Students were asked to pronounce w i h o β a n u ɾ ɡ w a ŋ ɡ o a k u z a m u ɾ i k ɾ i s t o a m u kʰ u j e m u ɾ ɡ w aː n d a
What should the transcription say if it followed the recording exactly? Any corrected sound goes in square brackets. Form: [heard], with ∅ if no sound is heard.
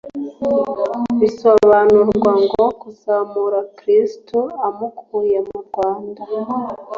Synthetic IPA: [β] i [s] o β a n u ɾ ɡ w a ŋ ɡ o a k u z a m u ɾ [a] k ɾ i s t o a m u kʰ u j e m u ɾ ɡ w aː n d a